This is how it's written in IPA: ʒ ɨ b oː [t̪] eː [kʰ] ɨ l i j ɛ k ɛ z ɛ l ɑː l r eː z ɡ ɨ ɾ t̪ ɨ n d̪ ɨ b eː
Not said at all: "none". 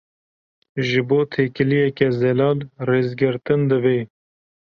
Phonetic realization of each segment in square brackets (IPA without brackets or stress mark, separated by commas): t̪ʰ, k